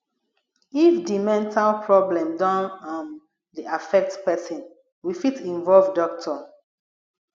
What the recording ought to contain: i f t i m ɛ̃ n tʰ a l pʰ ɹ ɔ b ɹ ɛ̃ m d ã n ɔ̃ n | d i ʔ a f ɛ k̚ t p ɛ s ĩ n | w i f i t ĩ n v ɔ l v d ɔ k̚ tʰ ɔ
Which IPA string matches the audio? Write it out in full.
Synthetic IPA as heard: i f d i m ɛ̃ n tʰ a l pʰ ɹ ɔ b l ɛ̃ m d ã n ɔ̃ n | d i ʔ a f ɛ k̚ t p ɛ s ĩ n | w i f i t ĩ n v ɔ l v d ɔ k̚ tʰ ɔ